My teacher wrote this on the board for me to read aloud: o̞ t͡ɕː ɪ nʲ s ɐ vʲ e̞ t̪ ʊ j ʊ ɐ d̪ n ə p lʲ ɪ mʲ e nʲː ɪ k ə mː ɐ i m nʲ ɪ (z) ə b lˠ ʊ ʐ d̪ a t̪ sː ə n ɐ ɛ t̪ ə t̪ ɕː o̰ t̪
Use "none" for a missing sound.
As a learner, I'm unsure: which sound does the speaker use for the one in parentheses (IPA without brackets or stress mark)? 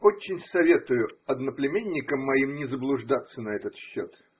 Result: z